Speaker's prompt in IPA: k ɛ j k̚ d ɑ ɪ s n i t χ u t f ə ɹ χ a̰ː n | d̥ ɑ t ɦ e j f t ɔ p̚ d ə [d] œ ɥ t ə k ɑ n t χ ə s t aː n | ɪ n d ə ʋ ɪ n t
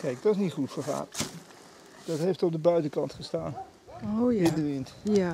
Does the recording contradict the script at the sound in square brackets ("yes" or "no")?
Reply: yes